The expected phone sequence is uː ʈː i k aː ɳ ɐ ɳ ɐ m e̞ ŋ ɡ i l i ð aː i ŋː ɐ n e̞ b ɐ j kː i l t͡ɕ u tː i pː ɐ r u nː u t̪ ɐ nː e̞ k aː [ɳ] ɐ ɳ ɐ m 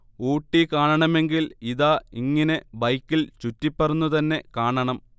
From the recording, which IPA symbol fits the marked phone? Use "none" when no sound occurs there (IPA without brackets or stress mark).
ɳ